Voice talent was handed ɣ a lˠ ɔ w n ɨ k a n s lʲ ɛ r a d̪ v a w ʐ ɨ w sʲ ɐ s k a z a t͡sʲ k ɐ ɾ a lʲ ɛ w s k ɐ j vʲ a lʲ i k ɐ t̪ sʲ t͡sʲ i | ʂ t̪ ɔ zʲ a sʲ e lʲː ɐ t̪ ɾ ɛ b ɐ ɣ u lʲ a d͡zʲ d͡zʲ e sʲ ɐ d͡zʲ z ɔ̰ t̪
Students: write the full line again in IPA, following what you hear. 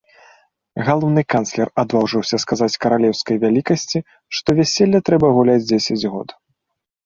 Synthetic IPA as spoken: ɣ a lˠ ɔ w n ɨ k a n s lʲ ɛ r a d̪ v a w ʐ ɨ w sʲ ɐ s k a z a t͡sʲ k ɐ ɾ a lʲ ɛ w s k ɐ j vʲ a lʲ i k ɐ sʲ t͡sʲ i | ʂ t̪ ɔ vʲ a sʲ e lʲː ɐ t̪ ɾ ɛ b ɐ ɣ u lʲ a d͡zʲ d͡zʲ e sʲ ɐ d͡zʲ ɣ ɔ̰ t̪